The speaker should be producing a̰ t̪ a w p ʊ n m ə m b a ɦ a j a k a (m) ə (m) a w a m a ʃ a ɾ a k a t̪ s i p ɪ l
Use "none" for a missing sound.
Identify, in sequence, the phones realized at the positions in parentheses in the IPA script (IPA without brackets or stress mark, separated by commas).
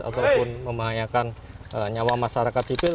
n, ɲ